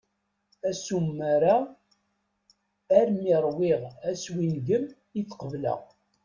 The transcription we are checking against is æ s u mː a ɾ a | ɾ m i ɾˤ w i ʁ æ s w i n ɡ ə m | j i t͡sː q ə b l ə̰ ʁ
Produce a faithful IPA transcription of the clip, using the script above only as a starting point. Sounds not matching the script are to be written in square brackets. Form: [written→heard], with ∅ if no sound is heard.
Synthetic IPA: æ s u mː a ɾ a | ɾ m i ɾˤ w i ʁ æ s w i n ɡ ə m | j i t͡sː q ə [b→v] l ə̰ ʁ

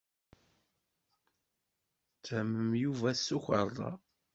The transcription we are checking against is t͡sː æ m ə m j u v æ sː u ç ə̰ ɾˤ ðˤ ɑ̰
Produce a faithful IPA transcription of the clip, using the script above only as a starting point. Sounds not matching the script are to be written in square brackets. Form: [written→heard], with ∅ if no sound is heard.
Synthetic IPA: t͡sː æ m ə m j u v æ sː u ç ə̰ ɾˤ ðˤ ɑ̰

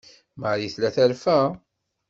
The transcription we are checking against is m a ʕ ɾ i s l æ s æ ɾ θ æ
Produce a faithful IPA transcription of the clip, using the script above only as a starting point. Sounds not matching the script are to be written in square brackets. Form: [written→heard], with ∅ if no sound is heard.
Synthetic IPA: m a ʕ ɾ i [s→θ] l æ [s→θ] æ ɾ [θ→f] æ

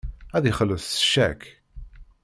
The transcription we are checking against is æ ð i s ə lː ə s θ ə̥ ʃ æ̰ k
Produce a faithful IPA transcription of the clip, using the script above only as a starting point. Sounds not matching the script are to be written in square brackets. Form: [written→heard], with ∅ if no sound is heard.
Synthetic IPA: æ ð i [s→χ] ə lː ə [s→θ] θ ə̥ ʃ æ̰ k

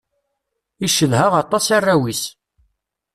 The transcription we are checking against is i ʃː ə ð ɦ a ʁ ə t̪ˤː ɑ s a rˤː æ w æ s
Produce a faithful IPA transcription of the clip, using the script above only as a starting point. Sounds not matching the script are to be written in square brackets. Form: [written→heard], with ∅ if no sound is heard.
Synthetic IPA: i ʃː ə ð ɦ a ʁ [ə→ɑ] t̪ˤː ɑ s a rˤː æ w [æ→i] s

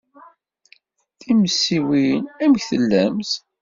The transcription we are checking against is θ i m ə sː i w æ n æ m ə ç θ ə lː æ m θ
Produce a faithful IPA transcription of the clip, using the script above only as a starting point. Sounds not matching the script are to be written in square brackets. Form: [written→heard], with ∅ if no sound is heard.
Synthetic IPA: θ i m ə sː i w [æ→i] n æ m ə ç θ ə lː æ m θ

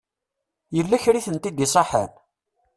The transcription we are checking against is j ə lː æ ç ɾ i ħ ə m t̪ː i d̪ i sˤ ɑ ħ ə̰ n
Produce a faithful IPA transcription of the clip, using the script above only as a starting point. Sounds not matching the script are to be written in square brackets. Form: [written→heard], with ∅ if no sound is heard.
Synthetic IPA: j ə lː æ ç ɾ i [ħ→θ] ə [m→n] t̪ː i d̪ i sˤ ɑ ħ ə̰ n

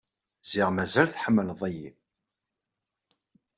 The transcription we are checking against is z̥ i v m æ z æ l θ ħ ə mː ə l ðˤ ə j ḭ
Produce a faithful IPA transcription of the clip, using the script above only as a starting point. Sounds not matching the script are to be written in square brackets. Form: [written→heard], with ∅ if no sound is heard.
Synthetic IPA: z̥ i [v→ʁ] m æ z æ l θ ħ ə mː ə l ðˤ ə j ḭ

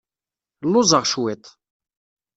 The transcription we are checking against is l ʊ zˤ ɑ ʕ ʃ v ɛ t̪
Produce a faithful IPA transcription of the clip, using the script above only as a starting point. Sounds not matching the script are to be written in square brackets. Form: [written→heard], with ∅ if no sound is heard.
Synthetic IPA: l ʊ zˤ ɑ [ʕ→ʁ] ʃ [v→w] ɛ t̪

